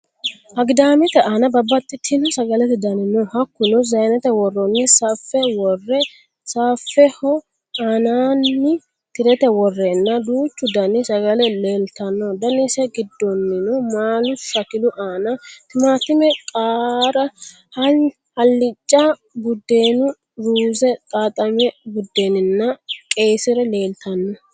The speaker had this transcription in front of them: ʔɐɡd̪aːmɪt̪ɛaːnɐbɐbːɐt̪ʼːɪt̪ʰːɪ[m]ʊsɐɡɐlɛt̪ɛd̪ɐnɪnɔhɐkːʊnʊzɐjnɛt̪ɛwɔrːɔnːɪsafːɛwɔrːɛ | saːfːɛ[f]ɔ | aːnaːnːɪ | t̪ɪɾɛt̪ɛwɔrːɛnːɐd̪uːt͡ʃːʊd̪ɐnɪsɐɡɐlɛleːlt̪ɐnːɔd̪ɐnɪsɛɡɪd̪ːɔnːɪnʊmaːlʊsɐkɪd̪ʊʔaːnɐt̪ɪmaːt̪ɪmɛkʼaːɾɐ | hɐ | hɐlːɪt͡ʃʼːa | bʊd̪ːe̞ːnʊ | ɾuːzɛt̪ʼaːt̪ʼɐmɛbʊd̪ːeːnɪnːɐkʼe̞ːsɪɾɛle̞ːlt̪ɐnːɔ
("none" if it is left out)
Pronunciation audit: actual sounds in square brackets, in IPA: n, h

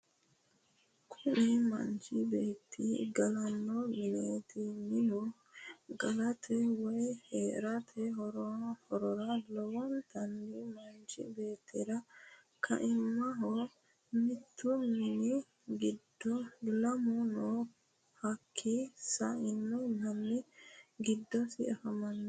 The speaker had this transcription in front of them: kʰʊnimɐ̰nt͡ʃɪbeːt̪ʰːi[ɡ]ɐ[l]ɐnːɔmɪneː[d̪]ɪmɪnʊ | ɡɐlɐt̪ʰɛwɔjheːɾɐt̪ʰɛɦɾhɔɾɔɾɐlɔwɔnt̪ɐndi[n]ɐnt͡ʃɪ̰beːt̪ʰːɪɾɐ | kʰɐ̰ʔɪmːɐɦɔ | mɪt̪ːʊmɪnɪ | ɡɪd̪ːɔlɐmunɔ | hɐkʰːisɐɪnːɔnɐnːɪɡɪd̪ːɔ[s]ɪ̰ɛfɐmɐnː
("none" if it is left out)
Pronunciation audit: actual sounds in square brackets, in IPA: ɡ, l, t̪, m, s

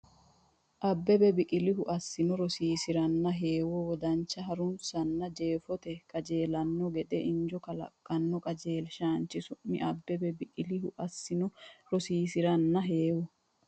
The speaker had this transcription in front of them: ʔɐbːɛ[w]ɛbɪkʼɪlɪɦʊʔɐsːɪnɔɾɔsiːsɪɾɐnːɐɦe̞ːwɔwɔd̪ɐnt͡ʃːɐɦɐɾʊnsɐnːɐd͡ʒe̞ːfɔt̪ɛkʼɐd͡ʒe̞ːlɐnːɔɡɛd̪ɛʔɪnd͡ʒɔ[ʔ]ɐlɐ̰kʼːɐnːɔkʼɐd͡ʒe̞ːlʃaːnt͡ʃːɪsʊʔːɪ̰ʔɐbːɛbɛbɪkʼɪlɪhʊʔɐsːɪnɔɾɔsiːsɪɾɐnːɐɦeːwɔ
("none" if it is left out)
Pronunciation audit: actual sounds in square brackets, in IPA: b, k

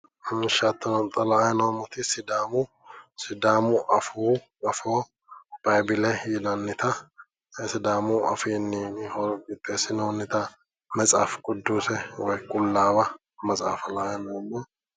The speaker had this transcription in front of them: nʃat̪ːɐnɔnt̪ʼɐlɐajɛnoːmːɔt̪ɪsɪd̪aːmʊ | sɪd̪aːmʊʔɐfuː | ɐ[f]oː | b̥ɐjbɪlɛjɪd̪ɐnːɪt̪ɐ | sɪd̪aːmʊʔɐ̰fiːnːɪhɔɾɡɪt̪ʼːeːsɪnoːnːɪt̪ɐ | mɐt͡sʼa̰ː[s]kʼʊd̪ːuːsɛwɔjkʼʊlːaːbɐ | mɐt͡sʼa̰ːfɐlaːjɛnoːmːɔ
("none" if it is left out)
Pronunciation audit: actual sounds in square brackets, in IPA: f, f

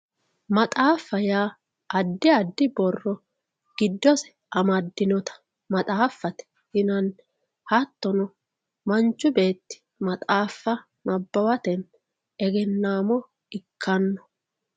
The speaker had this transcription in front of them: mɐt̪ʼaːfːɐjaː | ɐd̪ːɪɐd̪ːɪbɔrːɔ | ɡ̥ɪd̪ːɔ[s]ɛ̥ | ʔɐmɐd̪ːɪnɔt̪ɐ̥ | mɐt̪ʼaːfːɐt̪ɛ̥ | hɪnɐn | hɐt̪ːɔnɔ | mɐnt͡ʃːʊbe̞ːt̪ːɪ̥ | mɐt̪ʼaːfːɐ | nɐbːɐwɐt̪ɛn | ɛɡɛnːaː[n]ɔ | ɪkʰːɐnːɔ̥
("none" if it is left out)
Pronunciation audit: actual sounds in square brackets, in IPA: s, m

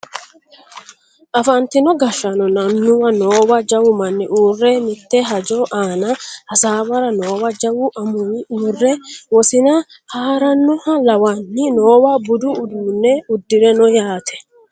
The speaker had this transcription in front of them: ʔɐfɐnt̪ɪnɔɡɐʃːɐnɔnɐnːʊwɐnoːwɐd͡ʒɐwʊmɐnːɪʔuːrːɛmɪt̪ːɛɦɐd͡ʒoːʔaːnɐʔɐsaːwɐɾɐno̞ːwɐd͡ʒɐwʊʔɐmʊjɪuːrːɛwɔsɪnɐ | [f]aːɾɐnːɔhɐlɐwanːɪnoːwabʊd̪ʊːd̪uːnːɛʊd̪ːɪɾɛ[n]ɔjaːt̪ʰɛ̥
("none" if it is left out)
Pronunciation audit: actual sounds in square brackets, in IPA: h, n

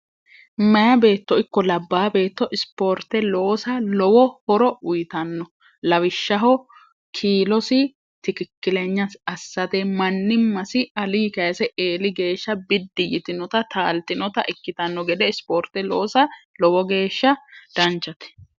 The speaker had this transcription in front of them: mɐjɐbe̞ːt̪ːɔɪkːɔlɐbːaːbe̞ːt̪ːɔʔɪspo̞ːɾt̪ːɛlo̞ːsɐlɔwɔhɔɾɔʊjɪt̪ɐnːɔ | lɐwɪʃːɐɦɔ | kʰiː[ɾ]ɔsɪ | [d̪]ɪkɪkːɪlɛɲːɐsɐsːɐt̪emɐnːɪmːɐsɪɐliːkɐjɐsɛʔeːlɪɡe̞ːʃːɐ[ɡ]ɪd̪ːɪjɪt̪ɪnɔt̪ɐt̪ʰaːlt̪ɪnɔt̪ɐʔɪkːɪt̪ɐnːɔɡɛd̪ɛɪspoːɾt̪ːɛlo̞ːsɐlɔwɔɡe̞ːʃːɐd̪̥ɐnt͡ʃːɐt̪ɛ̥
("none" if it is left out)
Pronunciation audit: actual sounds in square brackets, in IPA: l, t̪, b

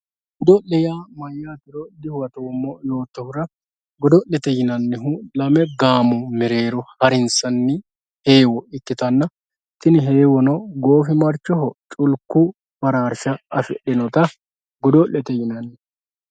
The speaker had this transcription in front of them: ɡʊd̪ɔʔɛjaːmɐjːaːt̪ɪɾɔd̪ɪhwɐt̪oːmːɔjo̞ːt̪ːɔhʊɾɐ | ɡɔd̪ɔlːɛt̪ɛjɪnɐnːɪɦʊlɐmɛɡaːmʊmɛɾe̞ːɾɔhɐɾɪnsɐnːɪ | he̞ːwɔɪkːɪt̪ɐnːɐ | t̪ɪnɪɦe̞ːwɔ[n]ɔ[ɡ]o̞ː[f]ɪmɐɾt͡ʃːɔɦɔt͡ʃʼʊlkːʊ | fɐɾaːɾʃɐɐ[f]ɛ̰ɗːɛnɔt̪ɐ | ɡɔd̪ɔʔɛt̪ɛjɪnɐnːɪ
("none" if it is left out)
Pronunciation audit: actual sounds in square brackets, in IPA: n, ɡ, f, f

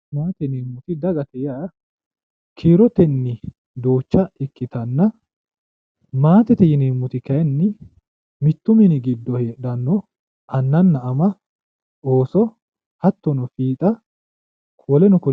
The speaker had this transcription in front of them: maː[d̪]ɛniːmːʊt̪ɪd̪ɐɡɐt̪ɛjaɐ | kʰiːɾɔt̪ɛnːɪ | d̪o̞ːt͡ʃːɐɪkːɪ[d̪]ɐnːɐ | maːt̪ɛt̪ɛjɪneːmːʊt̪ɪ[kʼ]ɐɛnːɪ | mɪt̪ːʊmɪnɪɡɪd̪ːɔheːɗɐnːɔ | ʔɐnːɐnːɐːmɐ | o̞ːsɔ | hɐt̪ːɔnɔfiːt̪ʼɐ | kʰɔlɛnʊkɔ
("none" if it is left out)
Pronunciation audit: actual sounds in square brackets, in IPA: t̪, t̪, k

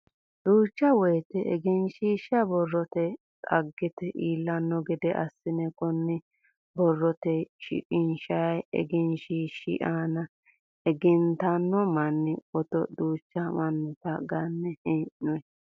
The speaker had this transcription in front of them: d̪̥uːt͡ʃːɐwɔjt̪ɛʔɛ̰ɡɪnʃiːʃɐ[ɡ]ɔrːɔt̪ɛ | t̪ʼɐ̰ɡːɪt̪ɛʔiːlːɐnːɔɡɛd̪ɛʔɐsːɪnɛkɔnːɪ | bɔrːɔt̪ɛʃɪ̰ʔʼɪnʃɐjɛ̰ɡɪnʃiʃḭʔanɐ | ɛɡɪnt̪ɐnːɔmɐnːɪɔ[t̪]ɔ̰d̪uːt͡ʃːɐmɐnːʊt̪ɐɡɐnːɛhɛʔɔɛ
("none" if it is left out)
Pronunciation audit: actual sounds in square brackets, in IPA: b, t̪

